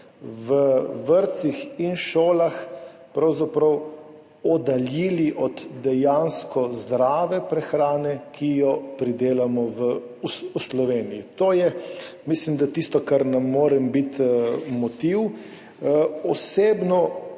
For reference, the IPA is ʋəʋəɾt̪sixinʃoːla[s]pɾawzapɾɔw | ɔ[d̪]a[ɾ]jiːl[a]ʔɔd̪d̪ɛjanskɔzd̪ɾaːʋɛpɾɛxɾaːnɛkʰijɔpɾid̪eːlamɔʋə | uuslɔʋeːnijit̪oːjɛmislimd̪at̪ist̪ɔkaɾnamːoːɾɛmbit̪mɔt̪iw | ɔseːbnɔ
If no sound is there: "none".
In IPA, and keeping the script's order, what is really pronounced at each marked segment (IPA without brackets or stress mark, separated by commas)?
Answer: x, d̪, l, i